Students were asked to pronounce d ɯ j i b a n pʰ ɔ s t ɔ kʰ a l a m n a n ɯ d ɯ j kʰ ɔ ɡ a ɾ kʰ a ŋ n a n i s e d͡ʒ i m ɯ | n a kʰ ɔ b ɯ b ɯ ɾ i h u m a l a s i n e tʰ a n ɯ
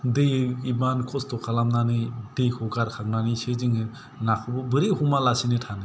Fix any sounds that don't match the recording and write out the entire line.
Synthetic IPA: d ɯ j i b a n kʰ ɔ s t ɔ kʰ a l a m n a n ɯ d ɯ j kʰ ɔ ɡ a ɾ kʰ a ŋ n a n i s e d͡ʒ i ŋ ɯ | n a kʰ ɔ b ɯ b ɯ ɾ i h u m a l a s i n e tʰ a n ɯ